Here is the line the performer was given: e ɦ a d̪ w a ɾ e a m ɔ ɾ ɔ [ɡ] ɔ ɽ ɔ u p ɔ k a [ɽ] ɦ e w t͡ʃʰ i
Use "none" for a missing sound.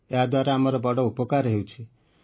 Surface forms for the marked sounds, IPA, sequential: b, ɾ

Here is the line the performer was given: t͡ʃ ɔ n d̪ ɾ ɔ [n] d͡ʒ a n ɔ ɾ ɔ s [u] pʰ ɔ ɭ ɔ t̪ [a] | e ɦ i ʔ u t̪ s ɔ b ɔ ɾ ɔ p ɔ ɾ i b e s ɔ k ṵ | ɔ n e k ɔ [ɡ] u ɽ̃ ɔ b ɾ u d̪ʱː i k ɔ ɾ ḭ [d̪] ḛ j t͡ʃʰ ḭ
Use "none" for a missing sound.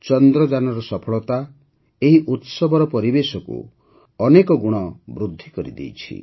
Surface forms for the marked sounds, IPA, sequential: none, ɔ, a, ɡ, d̪

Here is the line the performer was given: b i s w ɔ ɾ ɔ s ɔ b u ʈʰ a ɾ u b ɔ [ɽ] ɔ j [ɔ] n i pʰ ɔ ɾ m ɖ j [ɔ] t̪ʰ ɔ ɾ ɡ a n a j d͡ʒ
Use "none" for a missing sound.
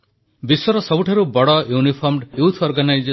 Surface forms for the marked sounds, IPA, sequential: ɽ, u, u

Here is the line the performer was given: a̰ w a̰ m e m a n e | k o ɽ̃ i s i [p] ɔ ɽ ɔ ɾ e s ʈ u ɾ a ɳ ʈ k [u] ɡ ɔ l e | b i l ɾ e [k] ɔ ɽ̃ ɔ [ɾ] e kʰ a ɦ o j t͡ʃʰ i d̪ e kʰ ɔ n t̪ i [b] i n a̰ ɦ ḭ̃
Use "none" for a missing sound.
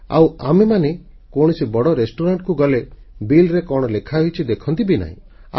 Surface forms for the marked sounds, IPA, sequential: b, u, k, l, b

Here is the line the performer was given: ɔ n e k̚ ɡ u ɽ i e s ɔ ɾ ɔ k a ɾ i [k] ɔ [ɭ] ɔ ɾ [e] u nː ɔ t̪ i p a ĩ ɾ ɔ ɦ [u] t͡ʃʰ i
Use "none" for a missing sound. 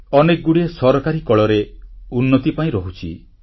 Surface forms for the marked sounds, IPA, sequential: k, ɭ, e, u

